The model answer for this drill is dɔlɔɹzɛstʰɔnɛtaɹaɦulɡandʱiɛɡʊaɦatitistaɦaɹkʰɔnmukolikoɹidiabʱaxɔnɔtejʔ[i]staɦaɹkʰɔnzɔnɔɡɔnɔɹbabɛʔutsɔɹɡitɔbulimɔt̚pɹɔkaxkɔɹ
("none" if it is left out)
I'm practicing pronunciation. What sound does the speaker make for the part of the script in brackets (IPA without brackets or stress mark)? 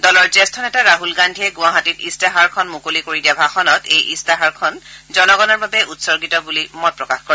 i